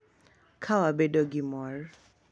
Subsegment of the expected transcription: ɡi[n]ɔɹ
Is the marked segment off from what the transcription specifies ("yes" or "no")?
yes